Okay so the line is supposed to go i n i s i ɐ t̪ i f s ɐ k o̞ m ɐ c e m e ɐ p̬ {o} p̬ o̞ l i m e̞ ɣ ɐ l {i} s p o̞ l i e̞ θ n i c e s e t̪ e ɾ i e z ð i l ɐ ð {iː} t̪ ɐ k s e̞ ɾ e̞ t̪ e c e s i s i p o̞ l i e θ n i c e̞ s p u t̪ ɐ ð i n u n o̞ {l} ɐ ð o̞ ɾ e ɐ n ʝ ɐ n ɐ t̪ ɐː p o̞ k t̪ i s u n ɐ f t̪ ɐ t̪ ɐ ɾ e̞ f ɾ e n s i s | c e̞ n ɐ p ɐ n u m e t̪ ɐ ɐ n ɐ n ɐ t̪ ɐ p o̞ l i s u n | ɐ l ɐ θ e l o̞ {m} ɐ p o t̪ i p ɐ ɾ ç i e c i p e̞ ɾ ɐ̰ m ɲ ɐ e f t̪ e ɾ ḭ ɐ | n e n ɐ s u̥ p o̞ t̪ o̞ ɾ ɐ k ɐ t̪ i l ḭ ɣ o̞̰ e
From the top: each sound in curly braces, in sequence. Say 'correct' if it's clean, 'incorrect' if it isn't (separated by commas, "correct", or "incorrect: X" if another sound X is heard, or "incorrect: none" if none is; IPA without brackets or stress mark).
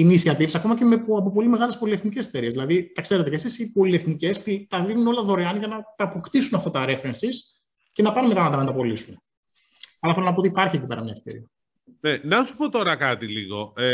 correct, incorrect: e, incorrect: i, correct, incorrect: n